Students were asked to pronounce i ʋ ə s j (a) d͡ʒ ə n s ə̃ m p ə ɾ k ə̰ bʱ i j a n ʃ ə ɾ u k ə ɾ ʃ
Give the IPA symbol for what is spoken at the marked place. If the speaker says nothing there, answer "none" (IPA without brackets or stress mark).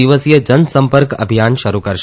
ə